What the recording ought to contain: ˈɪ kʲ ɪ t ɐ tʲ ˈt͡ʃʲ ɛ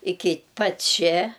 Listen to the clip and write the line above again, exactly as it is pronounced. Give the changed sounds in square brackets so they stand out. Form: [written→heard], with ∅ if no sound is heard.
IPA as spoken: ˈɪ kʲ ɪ [t→p] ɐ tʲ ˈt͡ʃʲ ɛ